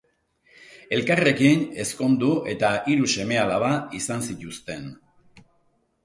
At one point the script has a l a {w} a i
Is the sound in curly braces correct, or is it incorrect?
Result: incorrect